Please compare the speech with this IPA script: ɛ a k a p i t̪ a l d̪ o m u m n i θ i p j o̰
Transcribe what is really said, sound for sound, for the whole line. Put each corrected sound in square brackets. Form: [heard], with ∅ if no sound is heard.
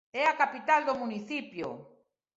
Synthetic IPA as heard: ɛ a k a p i t̪ a l d̪ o m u [∅] n i θ i p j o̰